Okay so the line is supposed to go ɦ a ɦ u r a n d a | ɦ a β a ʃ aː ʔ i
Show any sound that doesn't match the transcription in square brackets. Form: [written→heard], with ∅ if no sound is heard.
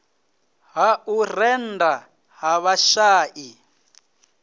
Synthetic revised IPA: ɦ a [ɦ→∅] u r [a→ɛ] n d a | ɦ a β a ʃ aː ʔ i